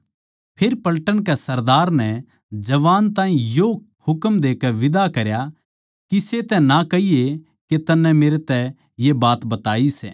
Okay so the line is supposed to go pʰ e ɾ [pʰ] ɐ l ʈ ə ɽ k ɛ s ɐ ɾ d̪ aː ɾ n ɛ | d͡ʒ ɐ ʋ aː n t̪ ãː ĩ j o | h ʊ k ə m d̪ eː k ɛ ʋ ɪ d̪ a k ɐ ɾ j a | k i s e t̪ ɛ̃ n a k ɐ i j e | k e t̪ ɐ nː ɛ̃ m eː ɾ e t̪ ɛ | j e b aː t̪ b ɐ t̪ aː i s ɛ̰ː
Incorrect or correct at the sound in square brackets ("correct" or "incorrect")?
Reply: incorrect